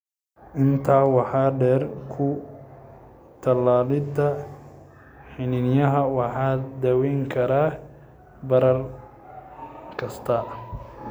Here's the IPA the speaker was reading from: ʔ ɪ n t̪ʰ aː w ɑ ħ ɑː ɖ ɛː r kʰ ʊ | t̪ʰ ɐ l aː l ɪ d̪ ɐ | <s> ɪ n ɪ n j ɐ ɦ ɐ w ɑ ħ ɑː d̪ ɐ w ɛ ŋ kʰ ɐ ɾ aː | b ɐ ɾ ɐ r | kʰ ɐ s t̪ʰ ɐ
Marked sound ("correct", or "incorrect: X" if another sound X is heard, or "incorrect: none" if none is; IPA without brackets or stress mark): incorrect: ħ